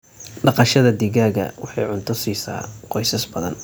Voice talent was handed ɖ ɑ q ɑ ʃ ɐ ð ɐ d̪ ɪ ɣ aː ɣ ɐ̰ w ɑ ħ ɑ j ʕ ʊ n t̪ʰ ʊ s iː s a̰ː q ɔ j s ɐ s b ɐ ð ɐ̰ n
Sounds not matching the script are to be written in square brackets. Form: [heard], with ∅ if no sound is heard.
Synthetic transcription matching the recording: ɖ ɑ q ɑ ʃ ɐ ð ɐ d̪ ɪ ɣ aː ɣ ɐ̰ w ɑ ħ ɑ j ʕ ʊ n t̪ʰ ʊ s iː s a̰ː q ɔ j s ɐ s b ɐ ð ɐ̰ n